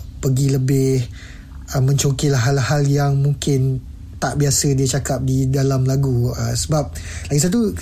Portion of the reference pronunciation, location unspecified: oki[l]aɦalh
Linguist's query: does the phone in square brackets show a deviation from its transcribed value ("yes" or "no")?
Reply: no